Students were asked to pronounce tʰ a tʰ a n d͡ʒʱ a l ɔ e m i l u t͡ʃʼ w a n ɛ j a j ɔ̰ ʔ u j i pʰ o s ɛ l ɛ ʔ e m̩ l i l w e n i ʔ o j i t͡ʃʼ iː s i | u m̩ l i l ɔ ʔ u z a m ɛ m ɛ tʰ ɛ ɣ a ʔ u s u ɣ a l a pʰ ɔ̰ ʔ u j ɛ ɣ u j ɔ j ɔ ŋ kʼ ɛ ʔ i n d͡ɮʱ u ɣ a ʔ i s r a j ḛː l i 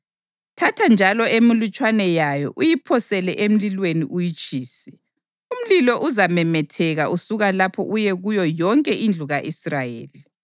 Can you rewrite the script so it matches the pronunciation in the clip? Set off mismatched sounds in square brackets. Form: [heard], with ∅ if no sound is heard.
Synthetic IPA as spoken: tʰ a tʰ a n d͡ʒʱ a l ɔ e m i l u t͡ʃʼ w a n ɛ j a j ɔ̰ ʔ u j i pʰ [ɔ] s ɛ l ɛ ʔ e m̩ l i l w e n i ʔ [u] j i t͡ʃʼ iː s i | u m̩ l i l ɔ ʔ u z a m ɛ m ɛ tʰ ɛ ɣ a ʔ u s u ɣ a l a pʰ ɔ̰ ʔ u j ɛ ɣ u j ɔ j ɔ ŋ kʼ ɛ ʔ i n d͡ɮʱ u ɣ a ʔ i s r a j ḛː l i

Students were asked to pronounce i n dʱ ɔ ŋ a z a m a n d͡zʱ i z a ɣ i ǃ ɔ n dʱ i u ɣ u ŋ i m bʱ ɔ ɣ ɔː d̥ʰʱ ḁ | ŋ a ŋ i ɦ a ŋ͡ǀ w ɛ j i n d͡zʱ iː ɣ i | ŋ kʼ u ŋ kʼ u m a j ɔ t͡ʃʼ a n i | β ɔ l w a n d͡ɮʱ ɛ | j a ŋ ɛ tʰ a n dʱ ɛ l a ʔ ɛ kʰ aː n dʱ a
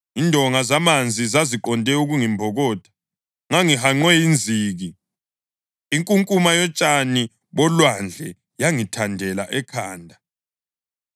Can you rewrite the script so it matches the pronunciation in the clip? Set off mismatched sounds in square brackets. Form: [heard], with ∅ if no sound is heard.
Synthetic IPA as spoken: i n dʱ ɔ ŋ a z a m a n d͡zʱ i z a [z] i ǃ ɔ n dʱ [ɛ] u ɣ u ŋ i m bʱ ɔ ɣ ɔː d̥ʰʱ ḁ | ŋ a ŋ i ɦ a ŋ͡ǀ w ɛ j i n d͡zʱ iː ɣ i | ŋ kʼ u ŋ kʼ u m a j ɔ t͡ʃʼ a n i | β ɔ l w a n d͡ɮʱ ɛ | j a ŋ [i] tʰ a n dʱ ɛ l a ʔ ɛ kʰ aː n dʱ a

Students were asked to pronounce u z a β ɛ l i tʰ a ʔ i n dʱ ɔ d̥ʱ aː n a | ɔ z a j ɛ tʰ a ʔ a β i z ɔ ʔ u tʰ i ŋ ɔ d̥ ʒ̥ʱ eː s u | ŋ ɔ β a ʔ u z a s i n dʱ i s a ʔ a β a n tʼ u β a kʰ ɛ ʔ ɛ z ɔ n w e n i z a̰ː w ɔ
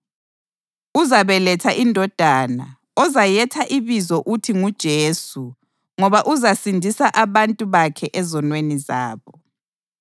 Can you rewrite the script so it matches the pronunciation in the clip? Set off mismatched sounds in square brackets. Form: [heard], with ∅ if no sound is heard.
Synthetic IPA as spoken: u z a β ɛ l [ɛ] tʰ a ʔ i n dʱ ɔ d̥ʱ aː n a | ɔ z a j ɛ tʰ a ʔ [i] β i z ɔ ʔ u tʰ i ŋ [u] d̥ ʒ̥ʱ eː s u | ŋ ɔ β a ʔ u z a s i n dʱ i s a ʔ a β a n tʼ u β a kʰ ɛ ʔ ɛ z ɔ n w e n i z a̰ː [β] ɔ

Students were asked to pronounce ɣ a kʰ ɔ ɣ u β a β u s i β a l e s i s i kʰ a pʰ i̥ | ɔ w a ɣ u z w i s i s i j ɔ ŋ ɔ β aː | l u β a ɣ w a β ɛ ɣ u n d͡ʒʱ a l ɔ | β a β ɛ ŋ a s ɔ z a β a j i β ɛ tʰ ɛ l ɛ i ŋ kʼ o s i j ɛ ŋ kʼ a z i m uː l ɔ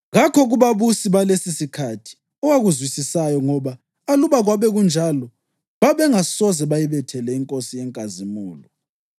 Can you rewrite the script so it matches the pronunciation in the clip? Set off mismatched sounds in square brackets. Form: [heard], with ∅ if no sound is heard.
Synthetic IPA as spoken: ɣ a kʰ ɔ ɣ u β a β u s i β a l e s i s i kʰ a [tʰ] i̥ | ɔ w a ɣ u z w i s i s [a] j ɔ ŋ ɔ β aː | l u β a ɣ w a β ɛ ɣ u n d͡ʒʱ a l ɔ | β a β ɛ ŋ a s ɔ z [ɛ] β a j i β ɛ tʰ ɛ l ɛ i ŋ kʼ o s i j ɛ ŋ kʼ a z i m uː l ɔ

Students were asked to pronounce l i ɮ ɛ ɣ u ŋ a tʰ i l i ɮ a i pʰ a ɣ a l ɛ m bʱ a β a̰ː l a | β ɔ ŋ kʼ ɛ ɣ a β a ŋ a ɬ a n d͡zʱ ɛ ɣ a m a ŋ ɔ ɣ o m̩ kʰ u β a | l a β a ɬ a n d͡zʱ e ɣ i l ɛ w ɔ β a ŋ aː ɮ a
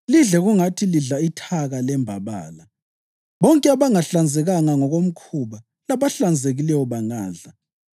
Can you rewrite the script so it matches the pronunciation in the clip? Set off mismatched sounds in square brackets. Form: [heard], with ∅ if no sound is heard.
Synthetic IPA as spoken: l i ɮ ɛ ɣ u ŋ a tʰ i l i ɮ a i [tʰ] a ɣ a l ɛ m bʱ a β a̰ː l a | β ɔ ŋ kʼ ɛ [∅] a β a ŋ a ɬ a n d͡zʱ ɛ ɣ a [ŋ] a ŋ ɔ ɣ o m̩ kʰ u β a | l a β a ɬ a n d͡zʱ e ɣ i l ɛ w ɔ β a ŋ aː ɮ a

